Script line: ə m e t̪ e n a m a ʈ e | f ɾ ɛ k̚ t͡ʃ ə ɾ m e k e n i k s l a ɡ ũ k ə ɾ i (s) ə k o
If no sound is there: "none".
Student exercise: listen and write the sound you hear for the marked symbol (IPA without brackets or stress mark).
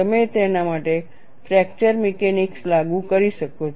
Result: ʃ